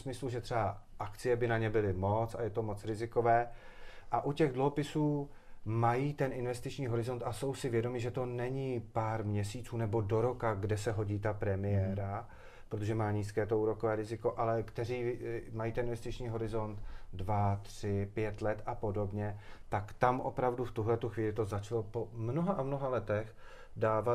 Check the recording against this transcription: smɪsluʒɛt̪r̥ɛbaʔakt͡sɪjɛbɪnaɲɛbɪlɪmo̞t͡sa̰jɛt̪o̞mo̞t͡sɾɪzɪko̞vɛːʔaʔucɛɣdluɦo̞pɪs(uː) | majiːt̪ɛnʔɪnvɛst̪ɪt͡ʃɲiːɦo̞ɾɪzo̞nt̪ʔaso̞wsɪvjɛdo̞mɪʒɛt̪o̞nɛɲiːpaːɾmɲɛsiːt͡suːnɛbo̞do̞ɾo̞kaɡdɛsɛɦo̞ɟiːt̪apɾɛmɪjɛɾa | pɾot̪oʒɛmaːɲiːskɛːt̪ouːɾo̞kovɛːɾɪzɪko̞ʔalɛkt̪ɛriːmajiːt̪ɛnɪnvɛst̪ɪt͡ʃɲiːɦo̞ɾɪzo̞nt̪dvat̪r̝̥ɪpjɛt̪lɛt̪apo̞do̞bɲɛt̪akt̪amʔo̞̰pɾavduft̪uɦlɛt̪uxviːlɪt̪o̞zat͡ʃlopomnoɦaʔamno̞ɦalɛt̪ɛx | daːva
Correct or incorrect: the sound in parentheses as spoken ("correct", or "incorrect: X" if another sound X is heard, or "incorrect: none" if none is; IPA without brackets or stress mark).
correct